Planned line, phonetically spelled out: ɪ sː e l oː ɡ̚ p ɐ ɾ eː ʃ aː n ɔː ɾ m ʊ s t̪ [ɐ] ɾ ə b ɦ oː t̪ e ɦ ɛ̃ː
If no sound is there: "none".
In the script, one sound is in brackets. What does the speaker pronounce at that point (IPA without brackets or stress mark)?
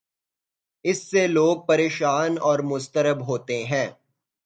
ə